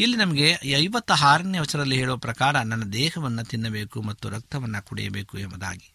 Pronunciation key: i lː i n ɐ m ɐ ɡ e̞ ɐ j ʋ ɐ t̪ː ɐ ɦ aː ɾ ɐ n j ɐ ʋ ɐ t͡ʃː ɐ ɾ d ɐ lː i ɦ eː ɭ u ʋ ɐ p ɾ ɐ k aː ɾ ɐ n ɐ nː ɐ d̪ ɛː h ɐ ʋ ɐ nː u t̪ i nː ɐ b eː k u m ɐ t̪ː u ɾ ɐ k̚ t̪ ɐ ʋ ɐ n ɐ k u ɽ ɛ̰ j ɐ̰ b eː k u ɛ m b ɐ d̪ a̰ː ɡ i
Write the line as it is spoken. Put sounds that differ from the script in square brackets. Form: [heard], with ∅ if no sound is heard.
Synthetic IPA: i lː i n ɐ m ɐ ɡ e̞ ɐ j ʋ ɐ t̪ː ɐ ɦ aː ɾ ɐ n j ɐ ʋ ɐ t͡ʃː ɐ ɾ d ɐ lː i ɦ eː ɭ u ʋ ɐ p ɾ ɐ k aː ɾ ɐ n ɐ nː ɐ d̪ ɛː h ɐ ʋ ɐ nː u t̪ i nː ɐ b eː k u m ɐ t̪ː u ɾ ɐ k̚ t̪ ɐ ʋ ɐ [nː] ɐ k u ɽ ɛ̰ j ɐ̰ b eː k u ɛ m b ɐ d̪ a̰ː ɡ i